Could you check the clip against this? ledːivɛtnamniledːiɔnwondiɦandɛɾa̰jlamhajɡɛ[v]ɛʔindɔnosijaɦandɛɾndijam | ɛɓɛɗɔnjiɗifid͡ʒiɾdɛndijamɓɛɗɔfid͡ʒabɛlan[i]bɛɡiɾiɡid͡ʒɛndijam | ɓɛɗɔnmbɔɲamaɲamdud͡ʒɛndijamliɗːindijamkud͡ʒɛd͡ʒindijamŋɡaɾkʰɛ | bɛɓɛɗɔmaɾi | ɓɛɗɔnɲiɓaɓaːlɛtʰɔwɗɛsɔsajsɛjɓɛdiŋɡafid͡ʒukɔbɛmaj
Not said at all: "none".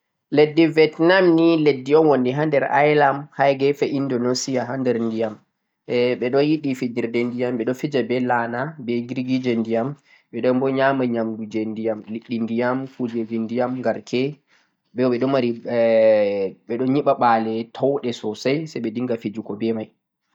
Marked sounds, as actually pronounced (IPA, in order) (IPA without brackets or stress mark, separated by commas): f, a